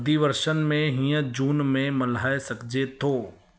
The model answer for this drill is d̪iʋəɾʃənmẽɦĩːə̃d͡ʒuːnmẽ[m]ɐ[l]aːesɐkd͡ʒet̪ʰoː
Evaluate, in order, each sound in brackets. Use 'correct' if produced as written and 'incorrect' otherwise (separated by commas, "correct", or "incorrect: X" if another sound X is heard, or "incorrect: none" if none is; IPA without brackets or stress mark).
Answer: correct, correct